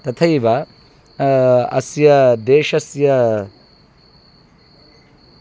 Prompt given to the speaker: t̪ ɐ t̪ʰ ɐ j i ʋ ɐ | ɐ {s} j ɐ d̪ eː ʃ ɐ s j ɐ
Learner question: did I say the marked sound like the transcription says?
yes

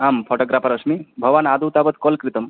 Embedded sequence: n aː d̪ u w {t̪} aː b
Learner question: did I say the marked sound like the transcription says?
yes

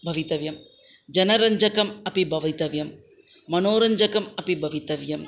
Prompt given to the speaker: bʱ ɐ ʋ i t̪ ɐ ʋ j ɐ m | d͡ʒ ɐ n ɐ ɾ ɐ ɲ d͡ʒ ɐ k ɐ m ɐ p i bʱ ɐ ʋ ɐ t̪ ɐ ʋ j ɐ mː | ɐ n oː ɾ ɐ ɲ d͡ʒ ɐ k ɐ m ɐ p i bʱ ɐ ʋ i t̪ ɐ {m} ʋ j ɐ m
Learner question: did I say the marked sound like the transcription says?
no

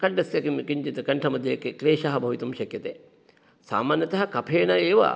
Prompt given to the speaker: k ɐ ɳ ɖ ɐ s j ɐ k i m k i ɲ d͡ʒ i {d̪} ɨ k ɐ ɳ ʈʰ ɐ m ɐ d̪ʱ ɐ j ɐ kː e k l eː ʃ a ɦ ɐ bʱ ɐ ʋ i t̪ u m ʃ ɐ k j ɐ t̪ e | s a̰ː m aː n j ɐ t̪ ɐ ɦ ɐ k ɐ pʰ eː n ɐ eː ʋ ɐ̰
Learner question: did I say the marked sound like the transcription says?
no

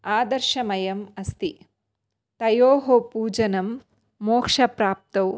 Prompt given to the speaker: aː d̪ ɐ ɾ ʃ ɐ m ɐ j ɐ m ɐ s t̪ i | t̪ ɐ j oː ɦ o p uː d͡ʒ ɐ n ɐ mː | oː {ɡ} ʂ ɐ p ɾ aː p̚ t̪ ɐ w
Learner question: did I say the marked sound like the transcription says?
no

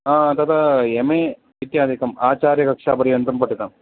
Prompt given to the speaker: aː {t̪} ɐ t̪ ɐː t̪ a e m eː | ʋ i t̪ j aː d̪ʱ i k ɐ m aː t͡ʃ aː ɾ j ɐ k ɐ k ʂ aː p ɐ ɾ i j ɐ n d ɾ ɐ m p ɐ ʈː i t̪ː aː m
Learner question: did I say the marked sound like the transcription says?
no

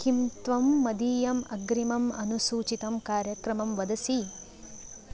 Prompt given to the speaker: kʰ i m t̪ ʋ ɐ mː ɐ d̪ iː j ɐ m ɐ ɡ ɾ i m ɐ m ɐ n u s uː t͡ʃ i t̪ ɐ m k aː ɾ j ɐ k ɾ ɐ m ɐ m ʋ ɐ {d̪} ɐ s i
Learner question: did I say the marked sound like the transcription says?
yes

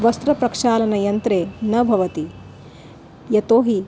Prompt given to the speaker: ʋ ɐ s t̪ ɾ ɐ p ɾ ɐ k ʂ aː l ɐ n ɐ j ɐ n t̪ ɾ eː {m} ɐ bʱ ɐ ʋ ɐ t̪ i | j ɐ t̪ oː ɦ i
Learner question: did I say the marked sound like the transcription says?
no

